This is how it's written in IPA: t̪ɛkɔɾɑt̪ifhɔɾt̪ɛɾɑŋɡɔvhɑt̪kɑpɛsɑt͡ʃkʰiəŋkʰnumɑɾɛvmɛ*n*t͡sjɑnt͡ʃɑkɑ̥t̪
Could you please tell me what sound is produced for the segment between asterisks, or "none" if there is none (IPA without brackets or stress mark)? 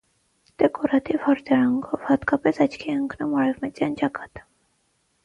none